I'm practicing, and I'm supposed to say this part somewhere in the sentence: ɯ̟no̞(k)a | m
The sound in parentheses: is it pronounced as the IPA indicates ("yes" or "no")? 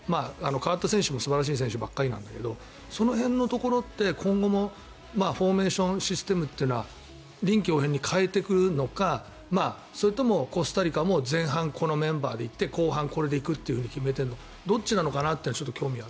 yes